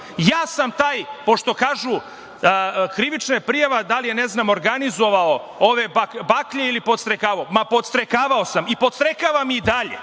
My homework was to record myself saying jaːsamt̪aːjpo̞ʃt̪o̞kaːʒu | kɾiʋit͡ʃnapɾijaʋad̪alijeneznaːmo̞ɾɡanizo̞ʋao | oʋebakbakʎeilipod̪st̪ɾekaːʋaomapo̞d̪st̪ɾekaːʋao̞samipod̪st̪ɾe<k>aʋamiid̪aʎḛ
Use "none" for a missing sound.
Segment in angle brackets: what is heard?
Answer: k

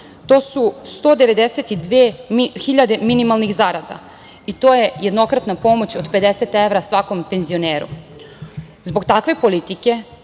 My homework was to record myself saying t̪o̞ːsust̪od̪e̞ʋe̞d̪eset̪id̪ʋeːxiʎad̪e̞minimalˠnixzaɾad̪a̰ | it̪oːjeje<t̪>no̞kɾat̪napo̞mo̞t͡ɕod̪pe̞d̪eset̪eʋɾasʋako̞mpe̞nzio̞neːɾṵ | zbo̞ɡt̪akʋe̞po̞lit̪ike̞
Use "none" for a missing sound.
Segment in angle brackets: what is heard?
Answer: d̪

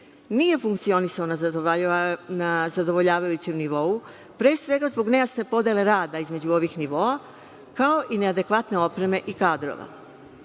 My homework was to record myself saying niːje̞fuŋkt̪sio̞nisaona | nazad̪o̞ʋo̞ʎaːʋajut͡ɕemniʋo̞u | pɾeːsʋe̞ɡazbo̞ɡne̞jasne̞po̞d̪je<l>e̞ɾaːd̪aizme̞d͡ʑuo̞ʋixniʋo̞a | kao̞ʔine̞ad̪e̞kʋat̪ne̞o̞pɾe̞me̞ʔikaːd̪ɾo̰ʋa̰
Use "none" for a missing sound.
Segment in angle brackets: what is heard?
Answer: l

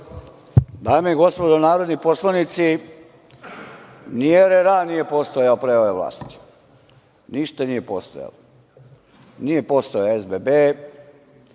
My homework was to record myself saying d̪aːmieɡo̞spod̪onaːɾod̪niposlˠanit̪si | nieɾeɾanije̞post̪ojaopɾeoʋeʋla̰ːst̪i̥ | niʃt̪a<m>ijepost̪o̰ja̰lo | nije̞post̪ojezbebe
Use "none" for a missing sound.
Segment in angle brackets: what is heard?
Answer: n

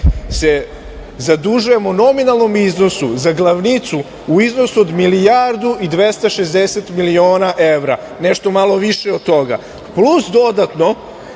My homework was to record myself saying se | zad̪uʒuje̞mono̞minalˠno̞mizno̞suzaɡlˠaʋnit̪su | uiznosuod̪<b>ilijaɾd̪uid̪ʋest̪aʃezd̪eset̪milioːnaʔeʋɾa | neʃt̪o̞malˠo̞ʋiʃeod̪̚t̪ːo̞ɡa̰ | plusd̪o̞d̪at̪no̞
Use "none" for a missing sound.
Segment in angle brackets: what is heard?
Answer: m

